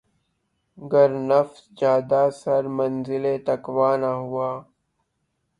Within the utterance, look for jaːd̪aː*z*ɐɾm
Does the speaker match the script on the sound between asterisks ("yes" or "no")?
no